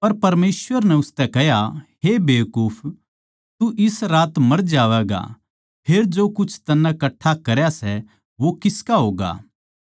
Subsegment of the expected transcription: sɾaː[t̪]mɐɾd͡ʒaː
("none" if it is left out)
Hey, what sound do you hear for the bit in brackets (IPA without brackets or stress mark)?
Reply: t̪